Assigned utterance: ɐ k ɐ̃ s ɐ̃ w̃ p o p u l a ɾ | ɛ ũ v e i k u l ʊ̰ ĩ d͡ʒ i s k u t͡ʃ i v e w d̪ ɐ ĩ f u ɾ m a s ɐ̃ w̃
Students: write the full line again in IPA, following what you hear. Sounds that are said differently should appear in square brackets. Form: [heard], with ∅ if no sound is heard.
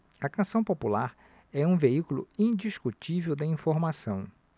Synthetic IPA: ɐ k ɐ̃ s ɐ̃ w̃ p o p u l a ɾ | ɛ ũ v e i k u l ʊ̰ ĩ d͡ʒ i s k u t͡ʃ i v e w d̪ ɐ ĩ f [o] ɾ m a s ɐ̃ w̃